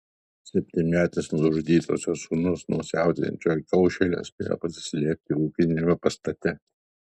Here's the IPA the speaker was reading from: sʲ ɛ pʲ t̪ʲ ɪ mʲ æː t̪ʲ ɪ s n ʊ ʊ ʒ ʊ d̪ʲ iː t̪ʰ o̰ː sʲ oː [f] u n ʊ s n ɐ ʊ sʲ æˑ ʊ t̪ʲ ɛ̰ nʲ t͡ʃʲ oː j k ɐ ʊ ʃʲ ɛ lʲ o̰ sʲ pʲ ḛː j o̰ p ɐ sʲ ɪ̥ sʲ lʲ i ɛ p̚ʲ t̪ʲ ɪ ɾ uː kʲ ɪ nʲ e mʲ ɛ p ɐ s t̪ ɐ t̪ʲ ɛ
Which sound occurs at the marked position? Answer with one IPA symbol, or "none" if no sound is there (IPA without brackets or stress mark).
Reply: s